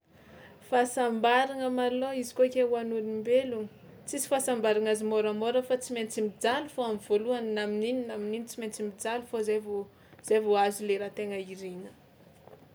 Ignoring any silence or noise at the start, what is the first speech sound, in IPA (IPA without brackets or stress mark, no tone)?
f